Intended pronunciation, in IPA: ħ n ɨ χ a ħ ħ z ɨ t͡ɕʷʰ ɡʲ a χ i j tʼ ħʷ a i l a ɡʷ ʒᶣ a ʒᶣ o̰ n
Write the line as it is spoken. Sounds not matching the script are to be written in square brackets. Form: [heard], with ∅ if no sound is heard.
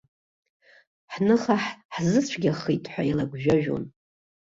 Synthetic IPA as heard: ħ n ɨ χ a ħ ħ z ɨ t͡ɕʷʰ ɡʲ a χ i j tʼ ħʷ a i l a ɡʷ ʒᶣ a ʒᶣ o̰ n